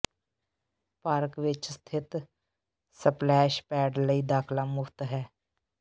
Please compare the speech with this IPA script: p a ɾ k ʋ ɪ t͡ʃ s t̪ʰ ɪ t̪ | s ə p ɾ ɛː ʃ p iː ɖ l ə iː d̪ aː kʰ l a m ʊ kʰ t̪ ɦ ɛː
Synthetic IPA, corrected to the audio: p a ɾ k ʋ ɪ t͡ʃ s t̪ʰ ɪ t̪ | s ə p l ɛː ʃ p ɛː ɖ l ə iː d̪ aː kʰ l a m ʊ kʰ t̪ ɦ ɛː